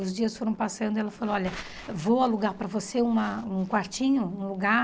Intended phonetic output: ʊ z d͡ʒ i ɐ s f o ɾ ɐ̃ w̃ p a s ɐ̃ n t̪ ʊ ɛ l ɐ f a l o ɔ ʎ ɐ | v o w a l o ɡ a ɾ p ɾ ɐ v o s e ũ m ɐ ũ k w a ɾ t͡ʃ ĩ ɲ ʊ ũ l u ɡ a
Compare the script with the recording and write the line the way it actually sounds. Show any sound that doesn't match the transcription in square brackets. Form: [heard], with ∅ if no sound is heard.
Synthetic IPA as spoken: ʊ z d͡ʒ i ɐ s f o ɾ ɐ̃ w̃ p a s ɐ̃ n [d̪] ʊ ɛ l ɐ f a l o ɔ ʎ ɐ | v o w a l [u] ɡ a ɾ p ɾ ɐ v o s e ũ m ɐ ũ k w a ɾ t͡ʃ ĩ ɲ ʊ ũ l u ɡ a

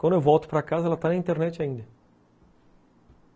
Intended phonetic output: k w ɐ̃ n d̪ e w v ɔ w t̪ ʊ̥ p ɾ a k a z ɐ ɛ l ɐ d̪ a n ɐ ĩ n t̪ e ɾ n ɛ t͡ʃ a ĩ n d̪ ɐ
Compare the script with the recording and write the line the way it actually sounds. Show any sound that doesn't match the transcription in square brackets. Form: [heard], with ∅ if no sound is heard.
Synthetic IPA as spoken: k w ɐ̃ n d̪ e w v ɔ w t̪ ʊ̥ p ɾ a k a z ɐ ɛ l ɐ [t̪] a n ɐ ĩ n t̪ e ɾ n ɛ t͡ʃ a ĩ n d̪ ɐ

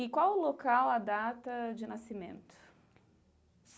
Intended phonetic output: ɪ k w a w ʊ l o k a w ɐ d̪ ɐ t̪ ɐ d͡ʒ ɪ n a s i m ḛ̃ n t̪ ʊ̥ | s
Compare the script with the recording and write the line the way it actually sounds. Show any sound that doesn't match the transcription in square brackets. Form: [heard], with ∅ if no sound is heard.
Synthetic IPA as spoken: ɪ k w a w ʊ l o k a w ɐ d̪ [a] t̪ ɐ d͡ʒ ɪ n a s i m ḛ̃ n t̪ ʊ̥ | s

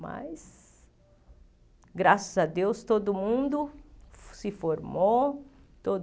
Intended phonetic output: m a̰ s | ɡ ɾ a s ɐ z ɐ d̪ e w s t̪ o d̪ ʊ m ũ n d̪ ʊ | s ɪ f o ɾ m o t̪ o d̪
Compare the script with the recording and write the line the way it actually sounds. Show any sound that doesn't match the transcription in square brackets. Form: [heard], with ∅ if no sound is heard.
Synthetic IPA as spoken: m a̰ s | ɡ ɾ a s ɐ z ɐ d̪ e w s t̪ o d̪ ʊ m ũ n d̪ ʊ | s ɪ f o ɾ m o t̪ o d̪

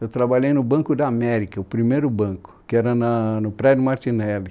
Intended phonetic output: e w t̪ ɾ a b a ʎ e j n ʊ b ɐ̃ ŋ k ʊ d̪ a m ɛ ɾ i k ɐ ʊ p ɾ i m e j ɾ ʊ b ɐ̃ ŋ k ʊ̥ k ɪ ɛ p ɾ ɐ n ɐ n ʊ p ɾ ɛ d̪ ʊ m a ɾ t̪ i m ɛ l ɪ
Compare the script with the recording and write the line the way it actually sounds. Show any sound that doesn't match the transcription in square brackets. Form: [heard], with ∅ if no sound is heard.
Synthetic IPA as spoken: e w t̪ ɾ a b a ʎ e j n ʊ b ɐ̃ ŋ k ʊ d̪ a m ɛ ɾ i k ɐ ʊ p ɾ i m e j ɾ ʊ b ɐ̃ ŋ k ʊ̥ k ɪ ɛ [∅] ɾ ɐ n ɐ n ʊ p ɾ ɛ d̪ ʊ m a ɾ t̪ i [n] ɛ l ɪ

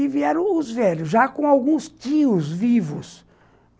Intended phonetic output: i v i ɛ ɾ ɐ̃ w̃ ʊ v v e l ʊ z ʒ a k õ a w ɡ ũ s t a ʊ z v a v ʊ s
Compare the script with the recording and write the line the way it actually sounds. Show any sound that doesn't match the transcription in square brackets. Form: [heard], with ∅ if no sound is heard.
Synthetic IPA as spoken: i v i ɛ ɾ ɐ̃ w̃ ʊ [z] v [ɛ] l ʊ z ʒ a k õ a w ɡ ũ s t [i] ʊ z v [i] v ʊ s

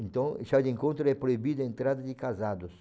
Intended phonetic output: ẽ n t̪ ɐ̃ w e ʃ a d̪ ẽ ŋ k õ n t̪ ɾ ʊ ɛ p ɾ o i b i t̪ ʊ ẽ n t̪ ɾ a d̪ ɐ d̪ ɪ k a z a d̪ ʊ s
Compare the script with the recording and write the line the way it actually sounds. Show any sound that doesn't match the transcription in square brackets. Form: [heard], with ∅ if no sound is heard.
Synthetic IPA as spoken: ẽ n t̪ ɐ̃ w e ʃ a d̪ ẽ ŋ k õ n t̪ ɾ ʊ ɛ p ɾ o i b i [d̪] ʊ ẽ n t̪ ɾ a d̪ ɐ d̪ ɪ k a z a d̪ ʊ s

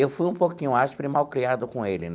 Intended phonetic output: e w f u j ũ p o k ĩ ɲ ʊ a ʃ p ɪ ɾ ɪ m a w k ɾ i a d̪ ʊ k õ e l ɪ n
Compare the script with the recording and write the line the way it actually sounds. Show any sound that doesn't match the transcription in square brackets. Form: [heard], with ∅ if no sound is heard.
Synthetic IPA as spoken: e w f u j ũ p o k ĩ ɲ ʊ a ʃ p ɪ ɾ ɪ m a w k ɾ i a d̪ ʊ k õ e l ɪ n

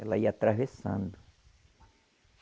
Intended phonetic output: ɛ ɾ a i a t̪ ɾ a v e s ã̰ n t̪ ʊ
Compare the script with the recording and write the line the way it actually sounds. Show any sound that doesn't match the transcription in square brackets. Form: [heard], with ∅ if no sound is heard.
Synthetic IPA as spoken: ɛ [l] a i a t̪ ɾ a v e s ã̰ n [d̪] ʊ

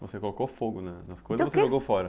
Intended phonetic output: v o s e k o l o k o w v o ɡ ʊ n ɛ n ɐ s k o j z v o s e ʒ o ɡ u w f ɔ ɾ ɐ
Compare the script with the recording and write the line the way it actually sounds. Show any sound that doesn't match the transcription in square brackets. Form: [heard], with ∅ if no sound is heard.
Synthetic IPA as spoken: v o s e k o l o k o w [f] o ɡ ʊ n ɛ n ɐ s k o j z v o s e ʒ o ɡ [o] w f ɔ ɾ ɐ

